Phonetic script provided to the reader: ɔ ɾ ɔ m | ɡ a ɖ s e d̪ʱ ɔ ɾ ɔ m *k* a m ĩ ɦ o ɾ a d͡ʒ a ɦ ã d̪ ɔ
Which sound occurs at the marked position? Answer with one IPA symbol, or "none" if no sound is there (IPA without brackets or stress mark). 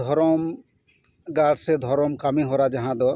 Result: k